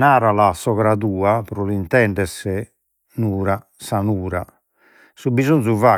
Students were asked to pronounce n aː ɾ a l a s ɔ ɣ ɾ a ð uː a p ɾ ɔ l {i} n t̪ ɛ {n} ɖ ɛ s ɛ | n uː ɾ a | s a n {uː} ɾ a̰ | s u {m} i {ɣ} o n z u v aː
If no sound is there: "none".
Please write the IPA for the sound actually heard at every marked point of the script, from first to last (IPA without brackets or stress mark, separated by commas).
i, ɳ, uː, b, z